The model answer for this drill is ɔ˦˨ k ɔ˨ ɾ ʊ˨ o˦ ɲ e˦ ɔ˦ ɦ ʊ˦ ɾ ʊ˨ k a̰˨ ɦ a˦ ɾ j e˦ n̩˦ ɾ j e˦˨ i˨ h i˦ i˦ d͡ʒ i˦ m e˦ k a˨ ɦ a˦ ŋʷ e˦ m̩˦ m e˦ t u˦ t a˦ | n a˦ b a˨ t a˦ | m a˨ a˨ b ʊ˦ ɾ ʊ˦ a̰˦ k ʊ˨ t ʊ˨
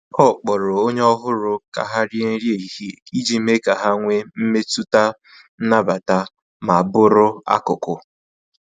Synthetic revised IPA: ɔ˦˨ k͡p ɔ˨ ɾ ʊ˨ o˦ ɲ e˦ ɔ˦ ɦ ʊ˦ ɾ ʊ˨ k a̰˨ ɦ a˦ ɾ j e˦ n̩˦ ɾ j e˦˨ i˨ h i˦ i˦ d͡ʒ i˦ m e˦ k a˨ ɦ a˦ ŋʷ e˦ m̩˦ m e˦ t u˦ t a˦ | n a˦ b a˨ t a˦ | m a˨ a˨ b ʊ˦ ɾ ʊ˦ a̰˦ k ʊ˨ k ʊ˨

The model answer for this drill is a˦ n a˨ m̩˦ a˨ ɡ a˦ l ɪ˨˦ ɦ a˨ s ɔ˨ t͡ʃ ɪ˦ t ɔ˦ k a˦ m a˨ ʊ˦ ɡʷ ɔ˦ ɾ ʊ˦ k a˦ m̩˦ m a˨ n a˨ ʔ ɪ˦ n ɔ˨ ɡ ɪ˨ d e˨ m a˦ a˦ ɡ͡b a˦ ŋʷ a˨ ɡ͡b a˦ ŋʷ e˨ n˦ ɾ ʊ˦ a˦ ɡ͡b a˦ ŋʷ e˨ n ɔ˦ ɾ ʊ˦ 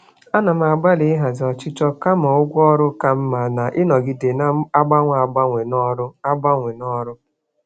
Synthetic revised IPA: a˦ n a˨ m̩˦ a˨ ɡ͡b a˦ l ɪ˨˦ ɦ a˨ z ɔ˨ t͡ʃ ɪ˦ t͡ʃ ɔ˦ k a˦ m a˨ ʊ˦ ɡʷ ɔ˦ ɾ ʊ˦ k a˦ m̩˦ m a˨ n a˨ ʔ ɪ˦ n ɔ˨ ɡ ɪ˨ d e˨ n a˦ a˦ ɡ͡b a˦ ŋʷ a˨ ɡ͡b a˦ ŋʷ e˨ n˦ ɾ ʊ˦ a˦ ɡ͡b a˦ ŋʷ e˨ n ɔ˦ ɾ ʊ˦

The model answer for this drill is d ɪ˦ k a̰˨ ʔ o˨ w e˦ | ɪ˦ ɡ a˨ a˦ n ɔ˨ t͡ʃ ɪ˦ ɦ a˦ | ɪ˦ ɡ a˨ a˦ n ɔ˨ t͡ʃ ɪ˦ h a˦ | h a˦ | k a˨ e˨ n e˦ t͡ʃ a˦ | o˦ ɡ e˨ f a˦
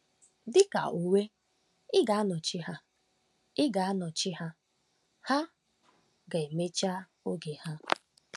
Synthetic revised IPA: d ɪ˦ k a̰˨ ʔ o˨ w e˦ | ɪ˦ ɡ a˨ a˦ n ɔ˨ t͡ʃ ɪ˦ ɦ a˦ | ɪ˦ ɡ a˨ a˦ n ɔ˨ t͡ʃ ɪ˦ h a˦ | h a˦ | ɡ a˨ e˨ m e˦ t͡ʃ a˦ | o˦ ɡ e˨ h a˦

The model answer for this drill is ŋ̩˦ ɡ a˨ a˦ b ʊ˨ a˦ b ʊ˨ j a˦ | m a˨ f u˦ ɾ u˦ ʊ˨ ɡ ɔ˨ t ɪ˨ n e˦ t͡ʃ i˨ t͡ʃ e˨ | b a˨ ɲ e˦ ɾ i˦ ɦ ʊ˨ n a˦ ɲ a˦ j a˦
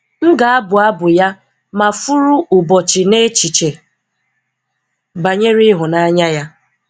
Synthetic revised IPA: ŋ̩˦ ɡ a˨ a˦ b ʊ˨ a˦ b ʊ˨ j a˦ | m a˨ f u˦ ɾ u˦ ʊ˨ b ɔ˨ t͡ʃ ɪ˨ n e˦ t͡ʃ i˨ t͡ʃ e˨ | b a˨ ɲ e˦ ɾ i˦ ɦ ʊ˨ n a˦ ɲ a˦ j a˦

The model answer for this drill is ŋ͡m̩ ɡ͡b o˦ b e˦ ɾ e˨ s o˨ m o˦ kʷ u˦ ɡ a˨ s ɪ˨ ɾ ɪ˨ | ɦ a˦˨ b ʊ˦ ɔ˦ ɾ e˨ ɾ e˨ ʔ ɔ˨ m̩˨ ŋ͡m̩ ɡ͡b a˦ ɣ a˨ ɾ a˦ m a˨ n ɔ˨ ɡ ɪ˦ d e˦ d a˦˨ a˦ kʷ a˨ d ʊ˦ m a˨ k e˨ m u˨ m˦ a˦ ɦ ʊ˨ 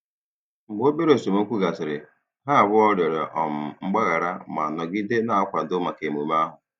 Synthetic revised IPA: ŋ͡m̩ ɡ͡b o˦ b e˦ ɾ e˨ s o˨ m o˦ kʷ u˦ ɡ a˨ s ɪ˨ ɾ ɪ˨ | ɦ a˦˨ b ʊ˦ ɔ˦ ɾ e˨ ɾ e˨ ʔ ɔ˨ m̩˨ ŋ͡m̩ ɡ͡b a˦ ɣ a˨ ɾ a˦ m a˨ n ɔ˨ ɡ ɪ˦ d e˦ n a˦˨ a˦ kʷ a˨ d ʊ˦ m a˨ k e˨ m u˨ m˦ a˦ ɦ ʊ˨

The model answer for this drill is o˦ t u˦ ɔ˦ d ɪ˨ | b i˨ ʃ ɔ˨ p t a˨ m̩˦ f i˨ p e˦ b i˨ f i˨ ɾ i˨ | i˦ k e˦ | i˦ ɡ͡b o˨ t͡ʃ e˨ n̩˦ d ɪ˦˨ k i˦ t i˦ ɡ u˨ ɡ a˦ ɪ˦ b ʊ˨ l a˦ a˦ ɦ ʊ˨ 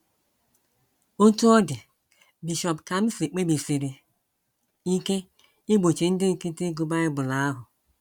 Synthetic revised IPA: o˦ t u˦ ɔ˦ d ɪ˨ | b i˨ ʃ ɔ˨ p k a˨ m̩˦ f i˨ k͡p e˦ b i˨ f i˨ ɾ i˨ | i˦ k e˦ | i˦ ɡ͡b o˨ t͡ʃ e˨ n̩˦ d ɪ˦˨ k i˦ t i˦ ɡ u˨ b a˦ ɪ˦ b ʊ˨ l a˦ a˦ ɦ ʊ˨

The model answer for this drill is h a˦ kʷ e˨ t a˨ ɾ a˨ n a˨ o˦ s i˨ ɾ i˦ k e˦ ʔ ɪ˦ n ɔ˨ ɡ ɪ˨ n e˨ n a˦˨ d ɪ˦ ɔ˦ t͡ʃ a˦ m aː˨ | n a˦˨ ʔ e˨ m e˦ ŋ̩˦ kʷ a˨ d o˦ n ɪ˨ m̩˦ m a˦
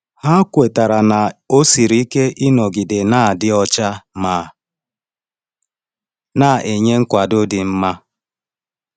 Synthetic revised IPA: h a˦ kʷ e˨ t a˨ ɾ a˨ n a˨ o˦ s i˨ ɾ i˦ k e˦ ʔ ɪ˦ n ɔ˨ ɡ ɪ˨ d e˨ n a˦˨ d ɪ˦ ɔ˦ t͡ʃ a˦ m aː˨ | n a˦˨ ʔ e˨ ɲ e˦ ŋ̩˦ kʷ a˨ d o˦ d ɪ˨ m̩˦ m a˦

